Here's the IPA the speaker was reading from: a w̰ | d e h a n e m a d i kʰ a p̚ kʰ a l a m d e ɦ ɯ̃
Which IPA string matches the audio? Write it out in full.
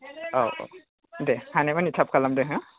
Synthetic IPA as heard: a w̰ | d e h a n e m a n i tʰ a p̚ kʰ a l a m d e ɦ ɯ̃